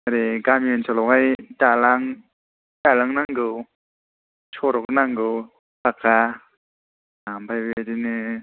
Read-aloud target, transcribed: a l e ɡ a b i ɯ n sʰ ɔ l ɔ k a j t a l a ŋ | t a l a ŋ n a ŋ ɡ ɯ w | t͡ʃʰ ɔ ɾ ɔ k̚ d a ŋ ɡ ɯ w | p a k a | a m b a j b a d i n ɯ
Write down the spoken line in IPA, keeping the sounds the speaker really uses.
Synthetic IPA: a ɾ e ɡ a m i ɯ n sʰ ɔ l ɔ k a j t a l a ŋ | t a l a ŋ n a ŋ ɡ ɯ w | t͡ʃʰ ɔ ɾ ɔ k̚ n a ŋ ɡ ɯ w | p a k a | a m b a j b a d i n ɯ